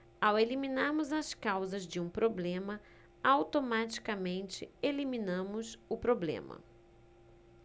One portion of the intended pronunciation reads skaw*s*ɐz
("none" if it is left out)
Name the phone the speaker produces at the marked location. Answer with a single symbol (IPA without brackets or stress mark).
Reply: z